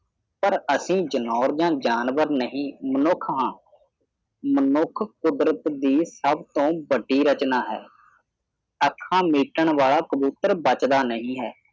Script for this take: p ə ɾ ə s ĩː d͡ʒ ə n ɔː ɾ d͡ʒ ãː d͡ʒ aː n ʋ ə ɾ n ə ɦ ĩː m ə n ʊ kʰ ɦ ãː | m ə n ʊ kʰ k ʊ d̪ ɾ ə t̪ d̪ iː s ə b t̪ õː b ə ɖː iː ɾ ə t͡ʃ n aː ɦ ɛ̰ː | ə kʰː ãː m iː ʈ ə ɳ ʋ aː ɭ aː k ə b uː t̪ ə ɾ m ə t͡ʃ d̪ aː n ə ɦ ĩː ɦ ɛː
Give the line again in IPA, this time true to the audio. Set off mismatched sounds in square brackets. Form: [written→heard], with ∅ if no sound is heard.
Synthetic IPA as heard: p ə ɾ ə s ĩː d͡ʒ ə n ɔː ɾ d͡ʒ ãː d͡ʒ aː n ʋ ə ɾ n ə ɦ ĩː m ə n ʊ kʰ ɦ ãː | m ə n ʊ kʰ k ʊ d̪ ɾ ə t̪ d̪ iː s ə b t̪ õː b ə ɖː iː ɾ ə t͡ʃ n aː ɦ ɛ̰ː | ə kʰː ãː m iː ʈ ə ɳ ʋ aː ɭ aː k ə b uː t̪ ə ɾ [m→b] ə t͡ʃ d̪ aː n ə ɦ ĩː ɦ ɛː